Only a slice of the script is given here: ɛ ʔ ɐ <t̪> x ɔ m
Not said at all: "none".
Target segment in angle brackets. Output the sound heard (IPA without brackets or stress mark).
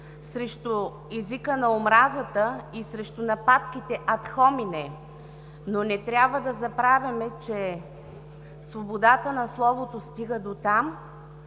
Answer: t̪